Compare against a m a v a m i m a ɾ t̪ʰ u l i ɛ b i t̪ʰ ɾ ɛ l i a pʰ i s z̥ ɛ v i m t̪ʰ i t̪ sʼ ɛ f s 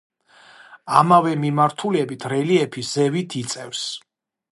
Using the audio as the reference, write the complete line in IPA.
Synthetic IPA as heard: a m a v ɛ m i m a ɾ t̪ʰ u l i ɛ b i t̪ʰ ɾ ɛ l i ɛ pʰ i s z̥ ɛ v i t̪ʰ i t̪ sʼ ɛ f s